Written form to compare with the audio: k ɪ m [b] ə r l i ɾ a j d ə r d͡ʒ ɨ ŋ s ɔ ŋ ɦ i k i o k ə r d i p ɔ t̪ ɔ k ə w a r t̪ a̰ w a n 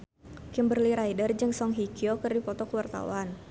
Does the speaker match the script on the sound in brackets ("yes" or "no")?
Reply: yes